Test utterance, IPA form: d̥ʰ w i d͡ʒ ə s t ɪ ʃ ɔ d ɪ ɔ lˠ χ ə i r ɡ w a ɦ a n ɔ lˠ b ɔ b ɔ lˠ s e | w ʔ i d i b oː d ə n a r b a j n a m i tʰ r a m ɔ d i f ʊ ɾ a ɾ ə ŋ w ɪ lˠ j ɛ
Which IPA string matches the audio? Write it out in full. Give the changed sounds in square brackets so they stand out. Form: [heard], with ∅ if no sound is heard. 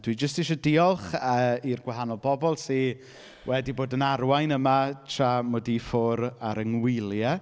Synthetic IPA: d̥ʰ w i d͡ʒ ə s t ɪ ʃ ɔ d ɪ ɔ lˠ χ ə i r ɡ w a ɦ a n ɔ lˠ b ɔ b ɔ lˠ s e | w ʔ [ɛ] d i b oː d ə n a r [w] a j n [ə] m [a] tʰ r a m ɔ d i f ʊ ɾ a ɾ ə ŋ w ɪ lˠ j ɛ